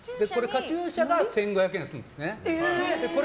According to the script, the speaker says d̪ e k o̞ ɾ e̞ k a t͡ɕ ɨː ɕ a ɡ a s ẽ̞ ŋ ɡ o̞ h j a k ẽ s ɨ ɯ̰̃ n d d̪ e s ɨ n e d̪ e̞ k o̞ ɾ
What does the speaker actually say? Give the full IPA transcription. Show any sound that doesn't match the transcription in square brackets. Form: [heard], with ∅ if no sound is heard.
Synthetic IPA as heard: d̪ e k o̞ ɾ e̞ k a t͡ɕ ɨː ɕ a ɡ a s ẽ̞ ŋ ɡ o̞ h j a k ẽ s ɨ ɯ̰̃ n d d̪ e s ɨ n e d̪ e̞ k o̞ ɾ